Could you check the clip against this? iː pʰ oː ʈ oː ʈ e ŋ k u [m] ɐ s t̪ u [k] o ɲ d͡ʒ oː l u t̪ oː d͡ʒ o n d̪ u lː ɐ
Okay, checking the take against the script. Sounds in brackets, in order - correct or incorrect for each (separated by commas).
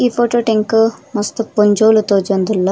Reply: correct, incorrect